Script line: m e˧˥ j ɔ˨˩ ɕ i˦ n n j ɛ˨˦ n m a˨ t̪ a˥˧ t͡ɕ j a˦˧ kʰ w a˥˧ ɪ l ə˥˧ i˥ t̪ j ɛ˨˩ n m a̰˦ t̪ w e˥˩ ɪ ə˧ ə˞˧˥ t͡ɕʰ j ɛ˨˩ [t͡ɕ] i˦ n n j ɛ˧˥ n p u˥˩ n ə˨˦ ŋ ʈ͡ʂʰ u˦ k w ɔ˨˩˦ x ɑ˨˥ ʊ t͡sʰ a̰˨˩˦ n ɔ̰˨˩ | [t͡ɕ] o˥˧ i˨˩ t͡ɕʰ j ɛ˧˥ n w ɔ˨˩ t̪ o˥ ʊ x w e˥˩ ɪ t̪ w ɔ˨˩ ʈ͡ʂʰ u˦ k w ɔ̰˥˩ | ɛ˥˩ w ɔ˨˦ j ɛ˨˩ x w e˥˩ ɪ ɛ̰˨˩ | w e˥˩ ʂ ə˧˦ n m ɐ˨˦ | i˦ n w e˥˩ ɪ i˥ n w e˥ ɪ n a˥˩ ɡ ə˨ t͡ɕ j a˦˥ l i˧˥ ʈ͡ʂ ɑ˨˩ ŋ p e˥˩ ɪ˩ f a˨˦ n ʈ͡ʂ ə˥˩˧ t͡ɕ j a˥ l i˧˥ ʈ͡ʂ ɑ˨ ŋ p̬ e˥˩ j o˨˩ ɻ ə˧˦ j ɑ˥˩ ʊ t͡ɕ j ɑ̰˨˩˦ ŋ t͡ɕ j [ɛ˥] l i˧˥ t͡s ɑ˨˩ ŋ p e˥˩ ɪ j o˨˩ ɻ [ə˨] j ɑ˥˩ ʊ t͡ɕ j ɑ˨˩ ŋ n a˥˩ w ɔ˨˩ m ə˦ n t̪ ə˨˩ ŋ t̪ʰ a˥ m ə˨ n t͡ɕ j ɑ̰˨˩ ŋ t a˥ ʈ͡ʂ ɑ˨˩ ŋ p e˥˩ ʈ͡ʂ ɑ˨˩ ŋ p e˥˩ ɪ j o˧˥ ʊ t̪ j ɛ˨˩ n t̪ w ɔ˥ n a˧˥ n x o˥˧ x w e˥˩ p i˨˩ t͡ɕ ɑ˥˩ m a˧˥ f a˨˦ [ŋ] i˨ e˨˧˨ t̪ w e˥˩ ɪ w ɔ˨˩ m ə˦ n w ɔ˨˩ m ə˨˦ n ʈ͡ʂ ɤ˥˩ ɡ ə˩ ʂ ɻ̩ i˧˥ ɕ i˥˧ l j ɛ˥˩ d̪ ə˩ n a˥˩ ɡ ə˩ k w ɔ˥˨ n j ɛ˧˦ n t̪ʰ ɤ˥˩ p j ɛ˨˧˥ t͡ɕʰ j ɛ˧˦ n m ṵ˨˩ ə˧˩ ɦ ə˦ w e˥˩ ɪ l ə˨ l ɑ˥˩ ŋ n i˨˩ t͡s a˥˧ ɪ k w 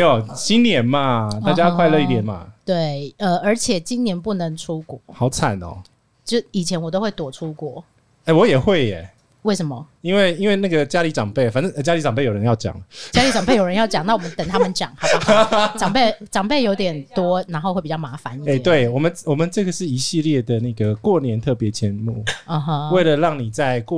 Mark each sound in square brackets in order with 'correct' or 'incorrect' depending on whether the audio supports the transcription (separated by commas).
correct, correct, incorrect, incorrect, incorrect